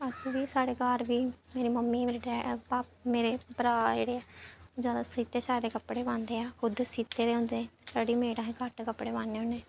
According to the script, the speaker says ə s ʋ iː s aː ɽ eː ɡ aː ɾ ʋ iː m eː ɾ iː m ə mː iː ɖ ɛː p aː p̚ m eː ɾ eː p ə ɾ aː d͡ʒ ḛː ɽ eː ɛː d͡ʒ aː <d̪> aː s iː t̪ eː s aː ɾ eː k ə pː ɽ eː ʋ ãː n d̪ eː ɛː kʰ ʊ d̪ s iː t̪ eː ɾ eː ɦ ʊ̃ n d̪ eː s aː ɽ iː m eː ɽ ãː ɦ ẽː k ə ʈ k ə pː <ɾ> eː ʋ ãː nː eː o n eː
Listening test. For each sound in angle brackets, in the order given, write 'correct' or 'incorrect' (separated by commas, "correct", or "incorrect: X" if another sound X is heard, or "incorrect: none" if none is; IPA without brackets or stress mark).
correct, incorrect: ɽ